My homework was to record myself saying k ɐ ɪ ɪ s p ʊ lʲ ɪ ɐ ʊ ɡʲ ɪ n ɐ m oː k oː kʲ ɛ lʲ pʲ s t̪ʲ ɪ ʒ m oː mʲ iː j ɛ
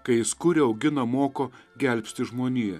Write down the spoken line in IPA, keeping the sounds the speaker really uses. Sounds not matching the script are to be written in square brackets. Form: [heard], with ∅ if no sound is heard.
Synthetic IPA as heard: k ɐ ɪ ɪ s [k] ʊ [ɾʲ] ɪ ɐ ʊ ɡʲ ɪ n ɐ m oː k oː [ɡʲ] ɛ lʲ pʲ s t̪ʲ ɪ ʒ m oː [nʲ] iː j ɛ